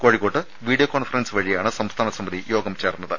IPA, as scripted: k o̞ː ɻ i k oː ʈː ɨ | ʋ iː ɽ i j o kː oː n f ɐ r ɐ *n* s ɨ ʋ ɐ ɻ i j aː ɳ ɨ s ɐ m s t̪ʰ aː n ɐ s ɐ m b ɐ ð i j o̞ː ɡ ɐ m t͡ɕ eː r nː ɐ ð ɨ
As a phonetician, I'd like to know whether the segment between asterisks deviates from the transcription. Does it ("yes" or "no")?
no